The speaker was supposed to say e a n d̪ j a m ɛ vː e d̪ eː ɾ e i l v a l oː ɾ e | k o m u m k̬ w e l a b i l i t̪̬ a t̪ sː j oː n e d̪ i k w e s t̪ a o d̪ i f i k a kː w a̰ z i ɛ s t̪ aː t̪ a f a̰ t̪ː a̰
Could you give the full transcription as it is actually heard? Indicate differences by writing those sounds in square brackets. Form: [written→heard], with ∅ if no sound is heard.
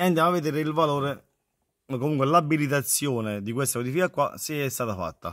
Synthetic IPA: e a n d̪ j a m [ɛ→a] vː e d̪ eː ɾ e i l v a l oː ɾ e | k o m u [m→ŋ] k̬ w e l a b i l i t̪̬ a t̪ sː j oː n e d̪ i k w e s t̪ a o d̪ i f i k a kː w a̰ [z→s] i ɛ s t̪ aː t̪ a f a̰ t̪ː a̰